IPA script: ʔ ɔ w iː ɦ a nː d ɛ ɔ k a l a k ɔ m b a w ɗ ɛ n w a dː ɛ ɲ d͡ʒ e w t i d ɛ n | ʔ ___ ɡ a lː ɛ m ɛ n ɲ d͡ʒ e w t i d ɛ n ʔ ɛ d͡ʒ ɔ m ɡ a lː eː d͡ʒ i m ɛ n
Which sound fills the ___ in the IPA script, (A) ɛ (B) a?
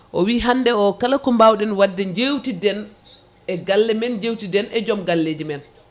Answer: A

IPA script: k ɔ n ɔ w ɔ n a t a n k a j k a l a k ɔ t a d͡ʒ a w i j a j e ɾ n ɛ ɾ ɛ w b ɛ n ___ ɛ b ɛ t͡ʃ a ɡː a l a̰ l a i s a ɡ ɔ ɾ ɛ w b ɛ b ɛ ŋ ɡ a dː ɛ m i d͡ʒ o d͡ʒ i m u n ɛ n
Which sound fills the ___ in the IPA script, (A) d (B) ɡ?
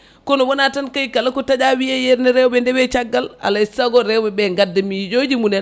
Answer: A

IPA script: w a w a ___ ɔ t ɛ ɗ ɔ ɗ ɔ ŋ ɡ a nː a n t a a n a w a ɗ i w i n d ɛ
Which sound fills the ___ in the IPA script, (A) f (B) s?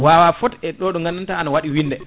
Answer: A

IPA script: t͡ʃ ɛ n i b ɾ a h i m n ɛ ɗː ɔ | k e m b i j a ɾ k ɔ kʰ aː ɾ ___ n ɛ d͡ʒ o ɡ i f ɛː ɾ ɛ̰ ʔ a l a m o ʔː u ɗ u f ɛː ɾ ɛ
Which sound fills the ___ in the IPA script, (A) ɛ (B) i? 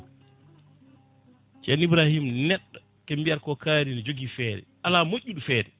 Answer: B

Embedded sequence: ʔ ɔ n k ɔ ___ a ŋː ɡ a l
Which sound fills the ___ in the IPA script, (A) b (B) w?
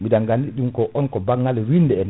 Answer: A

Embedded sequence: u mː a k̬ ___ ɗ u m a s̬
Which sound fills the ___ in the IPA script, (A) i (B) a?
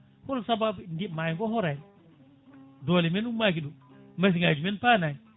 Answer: A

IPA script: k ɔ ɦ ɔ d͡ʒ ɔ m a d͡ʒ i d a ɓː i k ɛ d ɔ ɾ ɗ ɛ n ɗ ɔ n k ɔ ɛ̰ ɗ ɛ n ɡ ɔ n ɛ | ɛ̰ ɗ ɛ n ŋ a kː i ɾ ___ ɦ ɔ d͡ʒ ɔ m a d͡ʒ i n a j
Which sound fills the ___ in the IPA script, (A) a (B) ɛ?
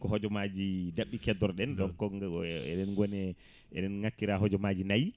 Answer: A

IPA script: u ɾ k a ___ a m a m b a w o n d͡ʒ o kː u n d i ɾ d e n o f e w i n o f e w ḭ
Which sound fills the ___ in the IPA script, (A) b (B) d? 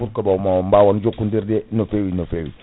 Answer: A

